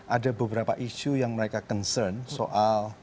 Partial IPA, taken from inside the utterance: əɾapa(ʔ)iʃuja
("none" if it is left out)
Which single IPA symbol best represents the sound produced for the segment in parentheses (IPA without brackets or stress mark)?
ʔ